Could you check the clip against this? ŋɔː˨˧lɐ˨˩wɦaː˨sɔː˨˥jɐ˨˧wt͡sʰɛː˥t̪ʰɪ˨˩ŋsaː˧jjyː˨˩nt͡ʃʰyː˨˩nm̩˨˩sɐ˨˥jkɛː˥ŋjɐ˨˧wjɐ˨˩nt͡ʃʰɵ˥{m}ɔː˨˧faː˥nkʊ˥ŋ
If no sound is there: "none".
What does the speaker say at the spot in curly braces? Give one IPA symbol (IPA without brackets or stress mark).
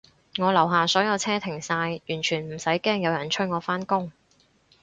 ŋ